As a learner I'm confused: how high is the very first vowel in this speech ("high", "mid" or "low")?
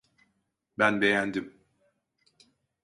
low